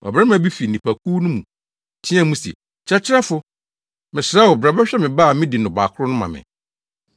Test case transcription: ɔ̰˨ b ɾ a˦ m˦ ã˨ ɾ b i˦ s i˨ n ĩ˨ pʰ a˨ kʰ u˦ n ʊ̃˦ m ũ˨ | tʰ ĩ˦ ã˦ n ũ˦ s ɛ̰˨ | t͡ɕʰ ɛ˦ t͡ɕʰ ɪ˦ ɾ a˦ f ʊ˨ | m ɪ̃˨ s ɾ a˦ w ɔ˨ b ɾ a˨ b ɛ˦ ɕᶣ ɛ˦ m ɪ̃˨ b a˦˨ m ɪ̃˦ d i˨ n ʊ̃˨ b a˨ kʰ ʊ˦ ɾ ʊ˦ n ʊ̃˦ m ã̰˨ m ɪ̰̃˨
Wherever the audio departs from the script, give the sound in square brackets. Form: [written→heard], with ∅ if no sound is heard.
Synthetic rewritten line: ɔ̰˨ b ɾ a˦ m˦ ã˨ [ɾ→∅] b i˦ [s→f] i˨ n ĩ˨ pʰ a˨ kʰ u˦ n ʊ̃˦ m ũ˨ | tʰ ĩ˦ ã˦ [n→m] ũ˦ s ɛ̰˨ | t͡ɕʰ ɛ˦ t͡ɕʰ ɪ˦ ɾ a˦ f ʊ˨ | m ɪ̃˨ s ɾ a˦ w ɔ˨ b ɾ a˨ b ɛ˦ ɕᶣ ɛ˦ m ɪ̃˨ b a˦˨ m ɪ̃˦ d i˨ n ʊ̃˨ b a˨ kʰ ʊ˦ ɾ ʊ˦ n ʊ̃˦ m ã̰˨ m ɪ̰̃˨